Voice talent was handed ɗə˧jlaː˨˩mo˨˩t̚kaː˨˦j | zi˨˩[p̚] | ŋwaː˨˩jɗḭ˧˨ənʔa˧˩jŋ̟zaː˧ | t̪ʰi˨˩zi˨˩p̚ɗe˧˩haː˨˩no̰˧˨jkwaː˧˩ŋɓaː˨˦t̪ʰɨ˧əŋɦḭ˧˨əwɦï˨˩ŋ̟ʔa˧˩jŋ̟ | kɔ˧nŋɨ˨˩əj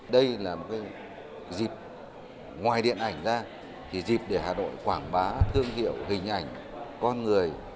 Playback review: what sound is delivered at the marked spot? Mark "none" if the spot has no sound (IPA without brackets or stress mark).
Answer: p̚